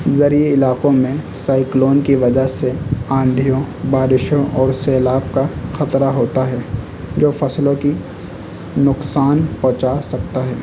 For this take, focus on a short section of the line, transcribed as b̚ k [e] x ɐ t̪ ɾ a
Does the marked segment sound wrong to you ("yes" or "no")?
yes